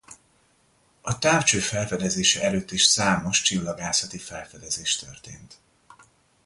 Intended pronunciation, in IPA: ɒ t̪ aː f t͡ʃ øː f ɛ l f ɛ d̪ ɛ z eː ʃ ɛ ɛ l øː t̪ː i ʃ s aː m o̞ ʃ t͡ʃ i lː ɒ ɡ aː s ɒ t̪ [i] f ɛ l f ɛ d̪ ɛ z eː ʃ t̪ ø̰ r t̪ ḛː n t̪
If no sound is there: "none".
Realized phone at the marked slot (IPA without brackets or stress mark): i